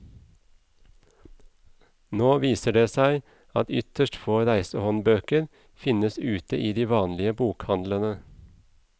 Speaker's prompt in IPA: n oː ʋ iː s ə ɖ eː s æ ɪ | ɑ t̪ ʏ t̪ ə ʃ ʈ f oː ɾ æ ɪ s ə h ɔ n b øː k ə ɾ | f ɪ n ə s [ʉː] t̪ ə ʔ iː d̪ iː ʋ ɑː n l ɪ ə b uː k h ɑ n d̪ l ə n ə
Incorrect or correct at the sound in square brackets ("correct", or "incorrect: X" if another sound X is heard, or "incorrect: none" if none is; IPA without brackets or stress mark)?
correct